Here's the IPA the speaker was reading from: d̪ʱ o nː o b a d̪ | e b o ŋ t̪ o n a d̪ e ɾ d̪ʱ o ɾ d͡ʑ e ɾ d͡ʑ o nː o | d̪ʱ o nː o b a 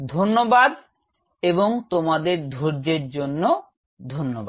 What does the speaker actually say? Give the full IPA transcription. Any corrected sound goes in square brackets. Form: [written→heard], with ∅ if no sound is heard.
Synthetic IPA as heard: d̪ʱ o nː o b a d̪ | e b o ŋ t̪ o [n→m] a d̪ e ɾ d̪ʱ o ɾ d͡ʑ e ɾ d͡ʑ o nː o | d̪ʱ o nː o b a